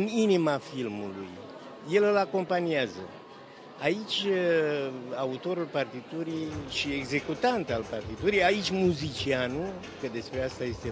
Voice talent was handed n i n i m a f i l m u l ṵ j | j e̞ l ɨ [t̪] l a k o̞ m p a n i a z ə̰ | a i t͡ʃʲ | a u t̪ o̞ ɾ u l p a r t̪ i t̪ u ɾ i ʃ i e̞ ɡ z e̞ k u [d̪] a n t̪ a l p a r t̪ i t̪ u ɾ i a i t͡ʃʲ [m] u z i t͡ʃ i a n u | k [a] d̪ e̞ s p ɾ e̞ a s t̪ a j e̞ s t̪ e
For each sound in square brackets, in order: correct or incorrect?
incorrect: none, incorrect: t̪, correct, incorrect: ə

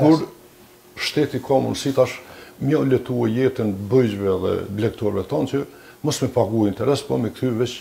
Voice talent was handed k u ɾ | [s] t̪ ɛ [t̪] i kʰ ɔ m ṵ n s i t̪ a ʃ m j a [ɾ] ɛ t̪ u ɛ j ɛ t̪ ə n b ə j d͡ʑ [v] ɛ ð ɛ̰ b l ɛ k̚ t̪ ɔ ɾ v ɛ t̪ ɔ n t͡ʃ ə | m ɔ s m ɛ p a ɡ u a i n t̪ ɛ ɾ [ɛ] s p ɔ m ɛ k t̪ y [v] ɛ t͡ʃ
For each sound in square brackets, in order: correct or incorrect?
incorrect: ʃ, correct, incorrect: l, correct, correct, correct

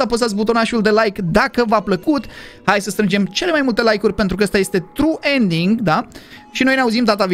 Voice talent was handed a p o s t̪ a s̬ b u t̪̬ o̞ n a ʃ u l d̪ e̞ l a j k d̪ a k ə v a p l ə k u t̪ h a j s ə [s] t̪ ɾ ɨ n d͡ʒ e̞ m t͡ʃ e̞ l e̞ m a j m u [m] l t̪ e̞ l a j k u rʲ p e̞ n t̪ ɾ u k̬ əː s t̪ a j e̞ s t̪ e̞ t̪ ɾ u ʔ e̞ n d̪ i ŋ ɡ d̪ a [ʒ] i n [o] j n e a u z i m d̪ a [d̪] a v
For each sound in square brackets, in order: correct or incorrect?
correct, incorrect: none, incorrect: ʃ, correct, incorrect: t̪

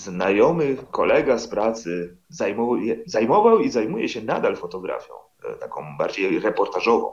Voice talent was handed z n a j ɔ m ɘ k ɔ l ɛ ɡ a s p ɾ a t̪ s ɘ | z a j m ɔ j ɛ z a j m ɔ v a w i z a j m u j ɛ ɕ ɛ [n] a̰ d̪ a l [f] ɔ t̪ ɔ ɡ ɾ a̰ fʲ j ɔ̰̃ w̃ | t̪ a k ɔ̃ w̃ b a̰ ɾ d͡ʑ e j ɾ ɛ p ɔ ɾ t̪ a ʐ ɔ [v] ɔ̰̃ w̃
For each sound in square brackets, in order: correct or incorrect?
correct, correct, correct

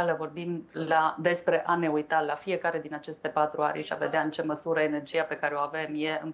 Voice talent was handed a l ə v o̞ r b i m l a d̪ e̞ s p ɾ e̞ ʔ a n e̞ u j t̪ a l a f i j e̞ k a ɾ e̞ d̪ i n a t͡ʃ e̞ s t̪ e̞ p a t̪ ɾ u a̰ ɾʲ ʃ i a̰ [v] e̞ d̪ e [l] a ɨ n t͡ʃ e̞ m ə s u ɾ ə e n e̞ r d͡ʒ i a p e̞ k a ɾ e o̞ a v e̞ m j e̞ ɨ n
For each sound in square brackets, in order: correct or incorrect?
correct, incorrect: none

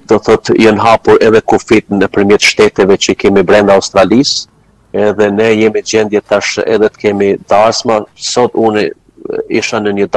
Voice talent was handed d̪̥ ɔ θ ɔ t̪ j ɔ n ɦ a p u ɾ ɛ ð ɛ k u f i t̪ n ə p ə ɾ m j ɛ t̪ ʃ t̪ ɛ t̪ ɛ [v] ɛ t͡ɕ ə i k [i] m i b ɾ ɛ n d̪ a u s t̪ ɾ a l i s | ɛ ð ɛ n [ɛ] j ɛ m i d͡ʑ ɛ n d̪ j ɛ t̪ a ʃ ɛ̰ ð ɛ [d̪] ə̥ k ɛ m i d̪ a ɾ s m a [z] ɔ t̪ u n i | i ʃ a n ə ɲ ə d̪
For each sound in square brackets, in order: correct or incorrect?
correct, incorrect: ɛ, correct, incorrect: t̪, incorrect: s

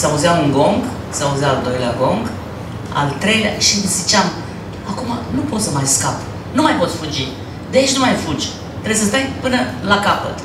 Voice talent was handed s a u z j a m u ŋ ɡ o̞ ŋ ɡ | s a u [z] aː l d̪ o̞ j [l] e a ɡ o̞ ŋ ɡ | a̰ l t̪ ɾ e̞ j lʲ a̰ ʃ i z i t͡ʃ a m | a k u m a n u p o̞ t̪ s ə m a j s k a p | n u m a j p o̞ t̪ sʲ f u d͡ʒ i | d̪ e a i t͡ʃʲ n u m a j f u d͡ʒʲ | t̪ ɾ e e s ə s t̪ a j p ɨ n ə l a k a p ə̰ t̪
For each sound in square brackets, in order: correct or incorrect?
correct, correct

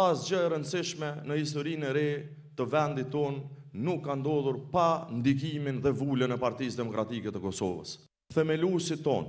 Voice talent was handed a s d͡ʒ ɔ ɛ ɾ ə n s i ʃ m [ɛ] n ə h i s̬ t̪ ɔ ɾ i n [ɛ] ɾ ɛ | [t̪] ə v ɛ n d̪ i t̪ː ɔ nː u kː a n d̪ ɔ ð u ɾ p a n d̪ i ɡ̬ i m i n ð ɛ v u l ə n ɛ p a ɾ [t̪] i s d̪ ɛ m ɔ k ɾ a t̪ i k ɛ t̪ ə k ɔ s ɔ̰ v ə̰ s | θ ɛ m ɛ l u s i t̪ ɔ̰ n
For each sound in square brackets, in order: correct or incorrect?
correct, correct, correct, correct

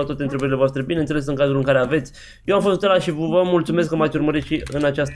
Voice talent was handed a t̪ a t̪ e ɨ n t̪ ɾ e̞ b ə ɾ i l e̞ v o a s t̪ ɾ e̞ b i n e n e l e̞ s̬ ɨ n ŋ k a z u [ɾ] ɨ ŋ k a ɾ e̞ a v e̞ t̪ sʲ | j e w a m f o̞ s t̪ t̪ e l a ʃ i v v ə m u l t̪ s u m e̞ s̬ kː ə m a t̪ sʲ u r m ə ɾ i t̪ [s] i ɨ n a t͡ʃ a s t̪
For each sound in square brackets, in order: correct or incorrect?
incorrect: l, incorrect: ʃ

